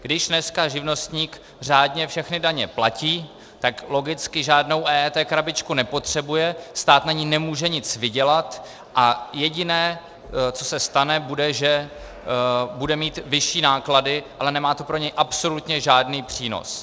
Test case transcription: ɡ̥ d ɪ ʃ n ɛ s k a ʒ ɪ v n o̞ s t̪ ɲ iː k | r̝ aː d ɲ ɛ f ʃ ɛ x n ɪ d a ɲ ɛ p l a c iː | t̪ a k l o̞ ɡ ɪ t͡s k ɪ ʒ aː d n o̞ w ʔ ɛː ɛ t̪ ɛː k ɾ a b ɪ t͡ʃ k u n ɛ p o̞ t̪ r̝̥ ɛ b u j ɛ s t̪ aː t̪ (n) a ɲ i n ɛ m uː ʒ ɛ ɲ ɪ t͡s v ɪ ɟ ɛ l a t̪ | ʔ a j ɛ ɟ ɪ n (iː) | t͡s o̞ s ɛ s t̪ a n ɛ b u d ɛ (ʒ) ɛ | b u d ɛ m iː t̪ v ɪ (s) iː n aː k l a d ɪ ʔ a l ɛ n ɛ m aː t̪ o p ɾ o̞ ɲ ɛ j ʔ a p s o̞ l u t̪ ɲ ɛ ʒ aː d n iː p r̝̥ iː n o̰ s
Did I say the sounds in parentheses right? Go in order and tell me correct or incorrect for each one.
correct, incorrect: ɛː, correct, incorrect: ʃ

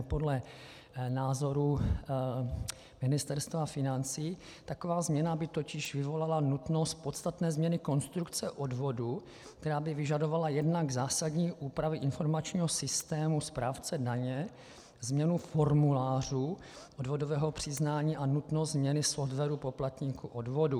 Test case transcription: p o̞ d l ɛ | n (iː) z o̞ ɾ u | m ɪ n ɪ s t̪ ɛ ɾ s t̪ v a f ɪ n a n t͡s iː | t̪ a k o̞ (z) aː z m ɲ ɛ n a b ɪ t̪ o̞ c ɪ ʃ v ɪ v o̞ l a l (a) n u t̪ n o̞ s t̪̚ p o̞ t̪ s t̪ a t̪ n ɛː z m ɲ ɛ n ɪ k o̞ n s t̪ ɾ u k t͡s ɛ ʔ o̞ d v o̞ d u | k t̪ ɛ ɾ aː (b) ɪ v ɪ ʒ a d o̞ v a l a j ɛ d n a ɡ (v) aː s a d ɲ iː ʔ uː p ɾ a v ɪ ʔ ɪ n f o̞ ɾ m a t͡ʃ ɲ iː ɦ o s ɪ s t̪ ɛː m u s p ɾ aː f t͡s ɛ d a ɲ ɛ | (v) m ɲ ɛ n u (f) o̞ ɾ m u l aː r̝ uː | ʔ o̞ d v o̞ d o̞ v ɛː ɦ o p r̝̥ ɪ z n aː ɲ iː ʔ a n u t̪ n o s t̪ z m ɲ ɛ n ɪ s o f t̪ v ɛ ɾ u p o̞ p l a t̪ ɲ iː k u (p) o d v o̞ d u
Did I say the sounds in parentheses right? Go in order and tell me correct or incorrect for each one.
incorrect: aː, incorrect: v, correct, correct, incorrect: z, incorrect: z, correct, incorrect: ʔ

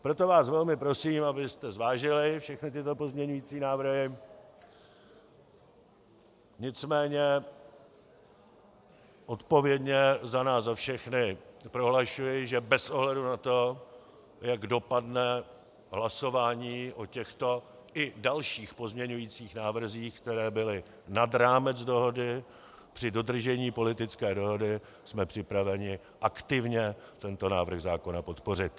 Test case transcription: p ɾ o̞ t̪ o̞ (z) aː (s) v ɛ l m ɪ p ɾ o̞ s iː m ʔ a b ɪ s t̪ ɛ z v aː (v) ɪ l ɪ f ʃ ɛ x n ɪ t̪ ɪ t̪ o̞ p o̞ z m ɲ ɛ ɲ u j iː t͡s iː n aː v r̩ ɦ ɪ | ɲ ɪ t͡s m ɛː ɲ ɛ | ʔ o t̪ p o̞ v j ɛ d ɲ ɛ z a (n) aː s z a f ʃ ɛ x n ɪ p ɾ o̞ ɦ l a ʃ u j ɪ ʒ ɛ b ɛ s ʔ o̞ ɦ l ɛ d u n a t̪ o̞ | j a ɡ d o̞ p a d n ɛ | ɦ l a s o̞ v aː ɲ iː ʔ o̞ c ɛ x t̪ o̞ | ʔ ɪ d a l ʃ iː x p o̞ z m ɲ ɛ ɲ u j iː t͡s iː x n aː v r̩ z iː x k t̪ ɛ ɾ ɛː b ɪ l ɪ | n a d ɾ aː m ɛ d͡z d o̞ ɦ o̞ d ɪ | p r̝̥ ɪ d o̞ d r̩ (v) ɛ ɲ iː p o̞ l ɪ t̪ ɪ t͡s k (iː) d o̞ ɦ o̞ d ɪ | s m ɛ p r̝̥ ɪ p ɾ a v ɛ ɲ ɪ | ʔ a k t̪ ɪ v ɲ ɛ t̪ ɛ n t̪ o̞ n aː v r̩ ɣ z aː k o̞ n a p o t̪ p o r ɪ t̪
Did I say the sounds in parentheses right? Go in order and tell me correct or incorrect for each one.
incorrect: v, correct, incorrect: ʒ, correct, incorrect: ʒ, incorrect: ɛː

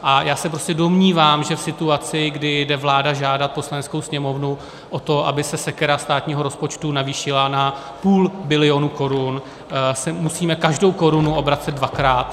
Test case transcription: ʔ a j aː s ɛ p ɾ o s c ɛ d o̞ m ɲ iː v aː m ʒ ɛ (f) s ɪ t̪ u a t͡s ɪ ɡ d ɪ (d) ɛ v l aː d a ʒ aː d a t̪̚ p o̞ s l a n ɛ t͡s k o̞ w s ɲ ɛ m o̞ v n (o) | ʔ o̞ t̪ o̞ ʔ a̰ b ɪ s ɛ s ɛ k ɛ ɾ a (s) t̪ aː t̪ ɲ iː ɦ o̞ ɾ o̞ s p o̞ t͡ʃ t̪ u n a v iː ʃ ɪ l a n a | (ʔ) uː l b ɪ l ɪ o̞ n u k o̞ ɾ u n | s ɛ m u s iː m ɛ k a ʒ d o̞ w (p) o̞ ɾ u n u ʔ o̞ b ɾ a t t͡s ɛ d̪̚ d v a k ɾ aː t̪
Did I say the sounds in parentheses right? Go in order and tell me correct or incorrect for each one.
correct, correct, incorrect: u, correct, incorrect: p, incorrect: k

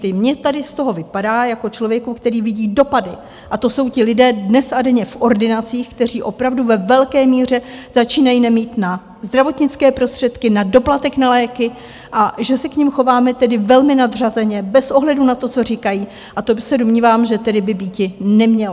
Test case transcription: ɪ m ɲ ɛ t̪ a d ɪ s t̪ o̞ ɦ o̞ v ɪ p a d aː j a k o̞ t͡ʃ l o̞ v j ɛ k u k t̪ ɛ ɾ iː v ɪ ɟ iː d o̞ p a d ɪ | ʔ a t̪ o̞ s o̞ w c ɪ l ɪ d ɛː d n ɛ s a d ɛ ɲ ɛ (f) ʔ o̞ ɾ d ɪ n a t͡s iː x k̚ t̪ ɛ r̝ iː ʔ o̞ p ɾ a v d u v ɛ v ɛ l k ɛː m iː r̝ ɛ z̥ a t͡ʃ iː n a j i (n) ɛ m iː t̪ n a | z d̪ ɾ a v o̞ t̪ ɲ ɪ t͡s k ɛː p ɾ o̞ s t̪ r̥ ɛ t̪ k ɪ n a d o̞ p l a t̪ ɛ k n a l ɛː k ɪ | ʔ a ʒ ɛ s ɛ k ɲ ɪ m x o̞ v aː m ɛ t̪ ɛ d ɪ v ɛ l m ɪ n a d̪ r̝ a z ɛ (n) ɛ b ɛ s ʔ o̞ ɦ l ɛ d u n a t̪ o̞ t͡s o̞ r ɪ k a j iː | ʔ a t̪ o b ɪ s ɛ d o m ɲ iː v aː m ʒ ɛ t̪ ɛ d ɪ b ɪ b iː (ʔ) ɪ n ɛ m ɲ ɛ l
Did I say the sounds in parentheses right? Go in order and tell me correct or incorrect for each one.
correct, correct, incorrect: ɲ, incorrect: c

